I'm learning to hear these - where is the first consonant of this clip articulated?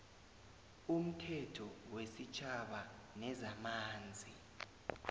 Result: lips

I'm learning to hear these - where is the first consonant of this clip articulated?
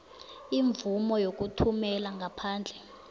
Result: lips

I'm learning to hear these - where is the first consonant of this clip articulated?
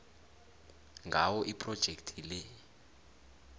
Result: velum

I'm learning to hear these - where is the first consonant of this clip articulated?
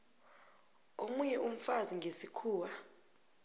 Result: lips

